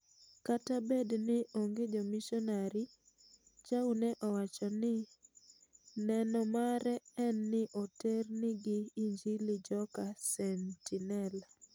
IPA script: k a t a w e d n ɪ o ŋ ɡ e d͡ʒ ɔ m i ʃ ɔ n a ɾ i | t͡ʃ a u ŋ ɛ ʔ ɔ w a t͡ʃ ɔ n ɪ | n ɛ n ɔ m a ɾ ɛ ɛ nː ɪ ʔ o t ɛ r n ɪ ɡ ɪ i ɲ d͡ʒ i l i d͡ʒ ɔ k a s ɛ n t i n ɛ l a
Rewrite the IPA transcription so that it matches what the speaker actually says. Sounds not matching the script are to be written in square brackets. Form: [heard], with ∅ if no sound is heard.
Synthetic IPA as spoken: k a t a [b] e d n ɪ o ŋ ɡ e d͡ʒ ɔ m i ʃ ɔ n a ɾ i | t͡ʃ a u [n] ɛ ʔ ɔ w a t͡ʃ ɔ n ɪ | n ɛ n ɔ m a ɾ ɛ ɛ nː ɪ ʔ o t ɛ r n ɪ ɡ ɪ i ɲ d͡ʒ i l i d͡ʒ ɔ k a s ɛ n t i n ɛ l a

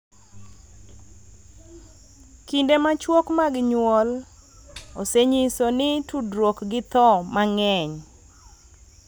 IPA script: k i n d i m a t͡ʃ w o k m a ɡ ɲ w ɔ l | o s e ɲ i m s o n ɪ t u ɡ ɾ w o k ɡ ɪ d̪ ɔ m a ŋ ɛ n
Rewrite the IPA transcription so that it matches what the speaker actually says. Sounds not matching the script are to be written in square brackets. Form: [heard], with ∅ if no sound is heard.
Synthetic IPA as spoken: k i n d [e] m a t͡ʃ w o k m a ɡ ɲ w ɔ l | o s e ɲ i [∅] s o n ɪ t u [d] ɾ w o k ɡ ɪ [t̪] ɔ m a ŋ ɛ [ɲ]

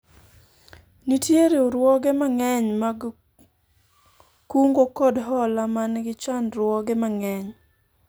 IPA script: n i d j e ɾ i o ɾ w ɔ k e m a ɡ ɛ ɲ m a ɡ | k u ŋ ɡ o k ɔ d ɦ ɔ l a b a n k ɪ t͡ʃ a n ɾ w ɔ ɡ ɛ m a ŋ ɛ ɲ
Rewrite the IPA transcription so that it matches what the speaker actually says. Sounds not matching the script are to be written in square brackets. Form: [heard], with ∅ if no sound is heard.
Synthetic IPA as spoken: n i [t] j e ɾ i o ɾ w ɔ [ɡ] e m a [ŋ] ɛ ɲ m a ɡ | k u ŋ ɡ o k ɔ d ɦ ɔ l a [m] a n [ɡ] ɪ t͡ʃ a n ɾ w ɔ ɡ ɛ m a ŋ ɛ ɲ

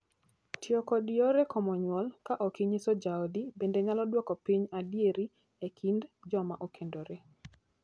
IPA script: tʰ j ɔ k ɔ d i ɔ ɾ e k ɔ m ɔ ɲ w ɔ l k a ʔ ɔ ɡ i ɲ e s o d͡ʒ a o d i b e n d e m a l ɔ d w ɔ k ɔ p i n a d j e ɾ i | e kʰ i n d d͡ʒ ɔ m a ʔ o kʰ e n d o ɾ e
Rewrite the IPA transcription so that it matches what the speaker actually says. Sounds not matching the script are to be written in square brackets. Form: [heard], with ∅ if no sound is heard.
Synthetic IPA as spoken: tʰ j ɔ k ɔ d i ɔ ɾ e k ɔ m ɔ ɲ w ɔ l k a ʔ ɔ [k] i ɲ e s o d͡ʒ a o d i b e n d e [ɲ] a l ɔ d w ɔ k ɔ p i [ɲ] a d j e ɾ i | e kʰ i n d d͡ʒ ɔ m a ʔ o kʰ e n d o ɾ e

